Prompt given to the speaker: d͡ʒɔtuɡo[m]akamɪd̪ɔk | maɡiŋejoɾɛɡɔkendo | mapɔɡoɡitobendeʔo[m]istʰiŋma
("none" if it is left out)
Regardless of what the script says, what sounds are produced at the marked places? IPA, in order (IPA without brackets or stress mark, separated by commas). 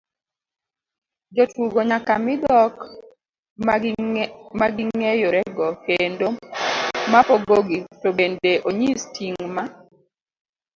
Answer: ɲ, ɲ